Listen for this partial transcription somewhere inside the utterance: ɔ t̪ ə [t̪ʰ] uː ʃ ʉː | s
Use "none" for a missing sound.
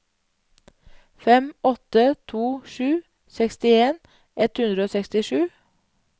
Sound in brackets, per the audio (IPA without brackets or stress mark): t̪ʰ